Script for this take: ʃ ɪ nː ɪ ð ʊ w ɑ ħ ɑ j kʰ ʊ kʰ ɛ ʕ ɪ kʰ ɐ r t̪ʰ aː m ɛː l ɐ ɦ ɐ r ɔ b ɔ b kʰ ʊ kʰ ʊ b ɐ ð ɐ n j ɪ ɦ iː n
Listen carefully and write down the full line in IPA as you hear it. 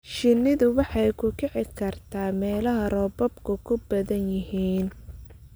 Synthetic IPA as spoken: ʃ ɪ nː ɪ ð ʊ w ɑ ħ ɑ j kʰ ʊ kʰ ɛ ʕ ɪ kʰ ɐ r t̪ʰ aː m ɛː l ɐ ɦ ɐ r ɔ b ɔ b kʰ ʊ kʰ ʊ b ɐ ð ɐ n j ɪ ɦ iː n